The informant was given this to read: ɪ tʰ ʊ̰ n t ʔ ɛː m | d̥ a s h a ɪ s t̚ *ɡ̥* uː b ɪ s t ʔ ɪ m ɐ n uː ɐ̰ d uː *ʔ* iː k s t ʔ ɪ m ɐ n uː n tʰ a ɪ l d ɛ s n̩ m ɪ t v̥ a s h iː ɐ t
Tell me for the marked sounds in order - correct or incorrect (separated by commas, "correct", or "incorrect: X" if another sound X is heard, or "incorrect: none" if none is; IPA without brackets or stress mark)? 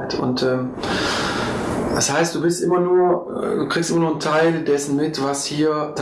incorrect: d̥, incorrect: k